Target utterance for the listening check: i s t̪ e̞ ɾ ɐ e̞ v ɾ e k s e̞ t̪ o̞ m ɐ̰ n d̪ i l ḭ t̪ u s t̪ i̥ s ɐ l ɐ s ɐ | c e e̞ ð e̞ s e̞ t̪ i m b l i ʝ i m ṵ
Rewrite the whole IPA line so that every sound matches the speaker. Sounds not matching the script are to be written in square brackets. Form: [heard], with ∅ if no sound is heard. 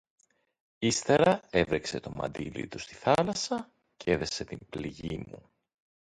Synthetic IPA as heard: i s t̪ e̞ ɾ ɐ e̞ v ɾ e k s e̞ t̪ o̞ m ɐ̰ n d̪ i l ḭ t̪ u s t̪ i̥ [θ] ɐ l ɐ s ɐ | c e e̞ ð e̞ s e̞ t̪ i m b l i ʝ i m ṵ